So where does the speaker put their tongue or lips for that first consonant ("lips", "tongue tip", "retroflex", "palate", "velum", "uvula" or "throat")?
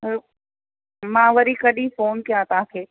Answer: lips